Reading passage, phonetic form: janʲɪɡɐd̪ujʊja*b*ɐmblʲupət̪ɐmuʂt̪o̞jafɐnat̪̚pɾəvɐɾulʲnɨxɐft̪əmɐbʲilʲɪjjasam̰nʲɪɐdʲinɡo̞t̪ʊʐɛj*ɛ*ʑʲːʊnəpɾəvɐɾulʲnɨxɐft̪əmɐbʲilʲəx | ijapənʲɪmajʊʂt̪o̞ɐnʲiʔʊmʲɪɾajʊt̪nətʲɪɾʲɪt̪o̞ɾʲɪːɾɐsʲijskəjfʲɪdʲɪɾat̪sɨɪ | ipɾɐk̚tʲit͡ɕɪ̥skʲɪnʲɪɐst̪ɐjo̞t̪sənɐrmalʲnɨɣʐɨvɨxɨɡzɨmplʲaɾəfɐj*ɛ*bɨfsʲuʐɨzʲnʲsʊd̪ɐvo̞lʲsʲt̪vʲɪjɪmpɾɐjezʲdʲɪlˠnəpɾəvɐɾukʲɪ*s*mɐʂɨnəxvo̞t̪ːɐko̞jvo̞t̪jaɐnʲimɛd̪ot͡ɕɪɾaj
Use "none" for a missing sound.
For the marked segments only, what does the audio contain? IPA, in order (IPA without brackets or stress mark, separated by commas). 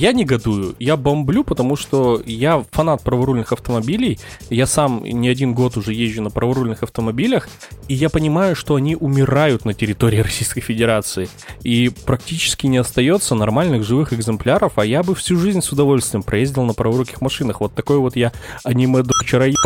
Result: b, e, a, x